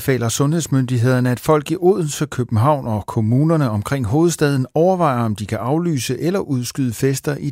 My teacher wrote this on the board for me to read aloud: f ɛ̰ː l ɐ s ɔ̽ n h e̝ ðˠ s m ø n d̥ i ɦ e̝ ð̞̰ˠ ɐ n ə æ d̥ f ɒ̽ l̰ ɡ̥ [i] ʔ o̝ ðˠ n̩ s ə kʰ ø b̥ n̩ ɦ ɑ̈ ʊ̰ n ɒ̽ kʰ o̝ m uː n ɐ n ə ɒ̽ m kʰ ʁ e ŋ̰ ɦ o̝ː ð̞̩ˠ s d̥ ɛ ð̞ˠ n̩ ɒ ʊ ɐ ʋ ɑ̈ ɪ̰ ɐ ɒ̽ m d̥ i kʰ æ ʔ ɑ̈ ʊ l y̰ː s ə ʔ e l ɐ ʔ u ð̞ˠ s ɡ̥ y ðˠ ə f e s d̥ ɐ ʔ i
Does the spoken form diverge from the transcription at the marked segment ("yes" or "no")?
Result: no